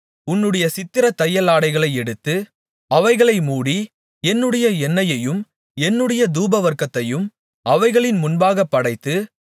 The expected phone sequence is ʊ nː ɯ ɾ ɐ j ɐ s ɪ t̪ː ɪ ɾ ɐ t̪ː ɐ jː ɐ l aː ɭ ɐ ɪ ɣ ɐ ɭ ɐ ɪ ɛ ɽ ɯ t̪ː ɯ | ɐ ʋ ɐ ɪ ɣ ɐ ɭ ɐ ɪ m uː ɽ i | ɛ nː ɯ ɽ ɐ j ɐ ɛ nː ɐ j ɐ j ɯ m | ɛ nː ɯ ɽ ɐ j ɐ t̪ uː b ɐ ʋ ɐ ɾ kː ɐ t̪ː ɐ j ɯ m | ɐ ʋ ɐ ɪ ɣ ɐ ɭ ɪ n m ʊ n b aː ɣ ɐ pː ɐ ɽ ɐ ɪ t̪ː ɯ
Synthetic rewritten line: ʊ nː ɯ ɽ ɐ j ɐ s ɪ t̪ː ɪ ɾ ɐ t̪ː ɐ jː ɐ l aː ɽ ɐ ɪ ɣ ɐ ɭ ɐ ɪ ɛ ɽ ɯ t̪ː ɯ | ɐ ʋ ɐ ɪ ɣ ɐ ɭ ɐ ɪ m uː ɽ i | ɛ nː ɯ ɽ ɐ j ɐ ɛ nː ɐ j ɐ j ɯ m | ɛ nː ɯ ɽ ɐ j ɐ d̪ uː b ɐ ʋ ɐ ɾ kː ɐ t̪ː ɐ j ɯ m | ɐ ʋ ɐ ɪ ɣ ɐ ɭ ɪ n m ʊ n b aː ɣ ɐ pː ɐ ɽ ɐ ɪ t̪ː ɯ